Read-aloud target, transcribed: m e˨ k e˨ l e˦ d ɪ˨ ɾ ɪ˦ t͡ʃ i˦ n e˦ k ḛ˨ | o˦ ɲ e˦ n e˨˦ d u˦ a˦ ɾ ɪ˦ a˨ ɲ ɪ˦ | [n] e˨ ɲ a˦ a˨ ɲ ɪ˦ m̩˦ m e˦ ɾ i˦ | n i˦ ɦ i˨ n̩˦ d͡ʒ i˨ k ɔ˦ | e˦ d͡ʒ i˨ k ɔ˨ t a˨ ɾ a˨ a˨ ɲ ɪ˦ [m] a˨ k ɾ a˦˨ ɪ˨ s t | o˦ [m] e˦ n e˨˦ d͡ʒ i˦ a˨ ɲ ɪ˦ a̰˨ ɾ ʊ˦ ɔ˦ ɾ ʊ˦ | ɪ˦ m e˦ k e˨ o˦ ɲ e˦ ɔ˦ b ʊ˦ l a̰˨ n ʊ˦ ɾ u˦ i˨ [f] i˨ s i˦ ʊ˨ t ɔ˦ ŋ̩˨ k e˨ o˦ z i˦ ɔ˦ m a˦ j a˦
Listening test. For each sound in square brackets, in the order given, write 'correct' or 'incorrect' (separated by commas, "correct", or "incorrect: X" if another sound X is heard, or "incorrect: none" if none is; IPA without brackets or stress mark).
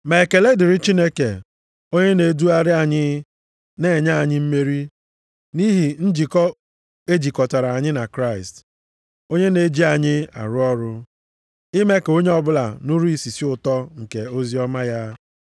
correct, incorrect: n, incorrect: ɲ, incorrect: s